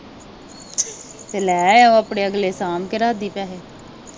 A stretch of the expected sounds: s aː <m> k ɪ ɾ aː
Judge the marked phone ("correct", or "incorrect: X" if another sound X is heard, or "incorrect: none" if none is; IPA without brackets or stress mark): correct